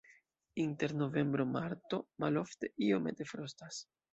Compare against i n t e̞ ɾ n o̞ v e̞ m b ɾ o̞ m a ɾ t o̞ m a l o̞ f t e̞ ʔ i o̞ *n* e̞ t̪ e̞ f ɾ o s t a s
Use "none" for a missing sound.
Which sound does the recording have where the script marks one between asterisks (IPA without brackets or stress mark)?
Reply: m